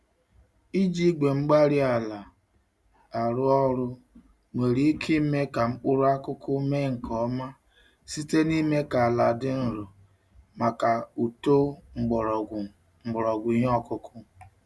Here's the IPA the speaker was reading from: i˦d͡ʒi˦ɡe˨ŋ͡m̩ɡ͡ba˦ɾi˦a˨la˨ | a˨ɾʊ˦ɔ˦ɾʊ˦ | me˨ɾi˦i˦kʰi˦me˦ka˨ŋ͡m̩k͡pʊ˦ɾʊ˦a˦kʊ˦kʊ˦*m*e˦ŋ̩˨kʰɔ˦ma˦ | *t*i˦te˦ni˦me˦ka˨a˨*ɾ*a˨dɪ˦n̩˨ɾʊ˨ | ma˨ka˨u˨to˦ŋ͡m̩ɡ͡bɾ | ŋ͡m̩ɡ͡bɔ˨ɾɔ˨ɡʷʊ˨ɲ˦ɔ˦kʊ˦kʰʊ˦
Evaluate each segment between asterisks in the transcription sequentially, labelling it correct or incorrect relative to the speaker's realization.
correct, incorrect: s, incorrect: l

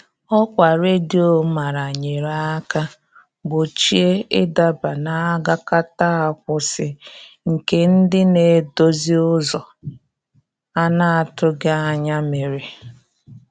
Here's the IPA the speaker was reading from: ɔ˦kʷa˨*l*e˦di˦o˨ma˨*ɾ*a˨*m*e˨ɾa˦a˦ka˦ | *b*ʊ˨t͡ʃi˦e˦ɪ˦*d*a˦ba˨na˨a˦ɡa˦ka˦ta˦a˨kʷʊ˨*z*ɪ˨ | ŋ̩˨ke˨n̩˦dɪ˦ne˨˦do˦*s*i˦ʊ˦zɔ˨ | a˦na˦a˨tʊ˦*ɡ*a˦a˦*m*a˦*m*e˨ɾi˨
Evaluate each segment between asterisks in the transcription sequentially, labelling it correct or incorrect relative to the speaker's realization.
incorrect: ɾ, correct, incorrect: ɲ, correct, correct, incorrect: s, incorrect: z, correct, incorrect: ɲ, correct

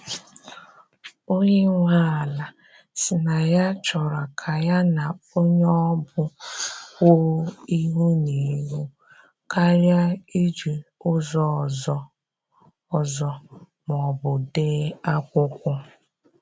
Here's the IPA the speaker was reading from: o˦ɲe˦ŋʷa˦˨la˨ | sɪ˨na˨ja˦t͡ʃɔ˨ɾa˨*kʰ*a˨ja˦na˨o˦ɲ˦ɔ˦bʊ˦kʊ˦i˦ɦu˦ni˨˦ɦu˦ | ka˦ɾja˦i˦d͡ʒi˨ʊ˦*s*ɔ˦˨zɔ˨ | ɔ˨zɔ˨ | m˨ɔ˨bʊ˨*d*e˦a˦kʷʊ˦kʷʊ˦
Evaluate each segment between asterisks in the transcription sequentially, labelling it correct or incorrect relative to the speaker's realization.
correct, incorrect: z, correct

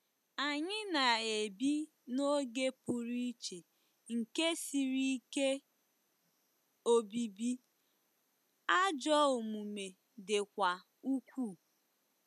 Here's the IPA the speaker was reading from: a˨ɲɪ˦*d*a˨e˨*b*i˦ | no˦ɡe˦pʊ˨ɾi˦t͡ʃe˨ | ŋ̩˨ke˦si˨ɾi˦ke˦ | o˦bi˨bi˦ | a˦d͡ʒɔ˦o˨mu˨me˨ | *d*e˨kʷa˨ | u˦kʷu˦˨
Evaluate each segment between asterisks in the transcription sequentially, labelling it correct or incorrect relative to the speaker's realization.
incorrect: n, correct, correct

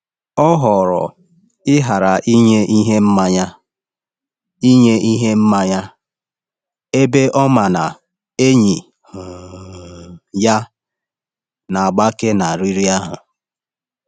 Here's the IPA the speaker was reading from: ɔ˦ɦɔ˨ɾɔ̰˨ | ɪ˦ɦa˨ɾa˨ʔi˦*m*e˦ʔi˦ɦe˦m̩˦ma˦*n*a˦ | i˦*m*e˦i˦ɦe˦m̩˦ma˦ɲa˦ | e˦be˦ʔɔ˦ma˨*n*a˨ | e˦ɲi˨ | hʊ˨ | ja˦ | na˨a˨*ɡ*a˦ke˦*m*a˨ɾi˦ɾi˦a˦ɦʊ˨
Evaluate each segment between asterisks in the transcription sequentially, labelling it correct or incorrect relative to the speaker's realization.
incorrect: ɲ, incorrect: ɲ, incorrect: ɲ, correct, incorrect: ɡ͡b, incorrect: n

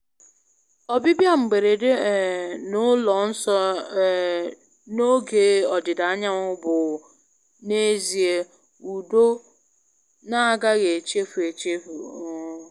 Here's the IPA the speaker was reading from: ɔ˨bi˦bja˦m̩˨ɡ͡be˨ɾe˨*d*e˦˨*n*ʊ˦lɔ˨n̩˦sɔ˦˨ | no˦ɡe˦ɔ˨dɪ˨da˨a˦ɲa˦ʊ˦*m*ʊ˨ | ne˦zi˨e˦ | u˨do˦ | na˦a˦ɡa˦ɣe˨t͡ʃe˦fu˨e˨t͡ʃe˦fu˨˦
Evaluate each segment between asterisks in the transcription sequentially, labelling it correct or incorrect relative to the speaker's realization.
correct, correct, incorrect: b

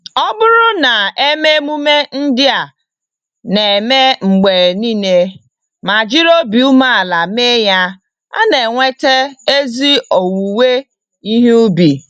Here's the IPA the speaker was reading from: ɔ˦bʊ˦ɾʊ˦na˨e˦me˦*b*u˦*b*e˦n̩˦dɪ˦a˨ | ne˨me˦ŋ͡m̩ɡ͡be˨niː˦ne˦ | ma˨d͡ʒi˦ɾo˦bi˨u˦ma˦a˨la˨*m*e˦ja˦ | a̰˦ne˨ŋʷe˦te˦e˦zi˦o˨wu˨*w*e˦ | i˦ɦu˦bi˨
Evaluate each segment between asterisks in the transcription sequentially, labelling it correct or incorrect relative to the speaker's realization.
incorrect: m, incorrect: m, correct, correct

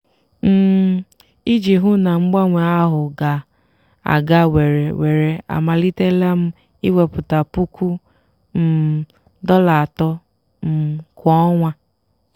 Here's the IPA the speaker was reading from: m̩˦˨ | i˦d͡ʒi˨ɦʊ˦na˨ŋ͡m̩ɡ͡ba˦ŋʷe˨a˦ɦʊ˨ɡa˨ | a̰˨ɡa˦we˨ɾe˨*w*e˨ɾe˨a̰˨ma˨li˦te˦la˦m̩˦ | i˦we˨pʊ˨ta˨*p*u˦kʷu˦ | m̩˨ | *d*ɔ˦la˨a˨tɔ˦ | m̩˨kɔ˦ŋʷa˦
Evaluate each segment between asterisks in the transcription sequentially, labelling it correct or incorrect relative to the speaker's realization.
correct, correct, correct

